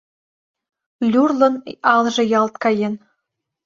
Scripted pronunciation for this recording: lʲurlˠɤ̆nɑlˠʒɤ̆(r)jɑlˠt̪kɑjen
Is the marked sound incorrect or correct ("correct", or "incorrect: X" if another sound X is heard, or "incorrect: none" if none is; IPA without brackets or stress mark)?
incorrect: none